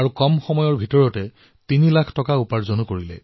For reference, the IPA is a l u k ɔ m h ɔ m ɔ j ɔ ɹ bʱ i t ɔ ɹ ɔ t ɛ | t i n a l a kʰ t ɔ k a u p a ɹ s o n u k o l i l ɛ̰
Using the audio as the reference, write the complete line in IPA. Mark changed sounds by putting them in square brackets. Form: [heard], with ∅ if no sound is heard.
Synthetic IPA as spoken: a [ɹ] u k ɔ m [x] ɔ m ɔ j ɔ ɹ bʱ i t ɔ ɹ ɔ t ɛ | t i n [i] l a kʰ t ɔ k a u p a ɹ [z] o n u k o [ɹ] i l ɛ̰